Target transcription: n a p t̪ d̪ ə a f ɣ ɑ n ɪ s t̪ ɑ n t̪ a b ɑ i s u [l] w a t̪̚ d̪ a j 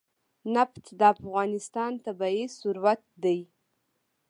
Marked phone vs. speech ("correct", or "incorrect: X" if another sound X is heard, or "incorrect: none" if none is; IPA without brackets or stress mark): incorrect: ɾ